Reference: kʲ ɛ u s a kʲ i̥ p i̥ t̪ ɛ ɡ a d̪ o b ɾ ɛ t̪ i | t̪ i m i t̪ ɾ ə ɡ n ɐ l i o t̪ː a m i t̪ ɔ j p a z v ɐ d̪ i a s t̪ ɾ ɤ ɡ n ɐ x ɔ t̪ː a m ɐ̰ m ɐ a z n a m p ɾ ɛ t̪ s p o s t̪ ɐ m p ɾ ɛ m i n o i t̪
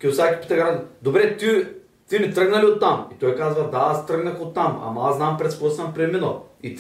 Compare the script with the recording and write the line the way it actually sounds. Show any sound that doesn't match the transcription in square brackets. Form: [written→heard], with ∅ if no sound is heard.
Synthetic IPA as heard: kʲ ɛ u s a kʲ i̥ p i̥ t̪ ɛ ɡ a d̪ o b ɾ ɛ t̪ i | t̪ i m i t̪ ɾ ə ɡ n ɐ l i o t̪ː a m i t̪ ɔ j [p→k] a z v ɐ d̪ [i→a] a s t̪ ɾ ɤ ɡ n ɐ x [ɔ→o] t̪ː a m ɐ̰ m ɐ a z n a m p ɾ ɛ t̪ s p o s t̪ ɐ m p ɾ ɛ m i n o i t̪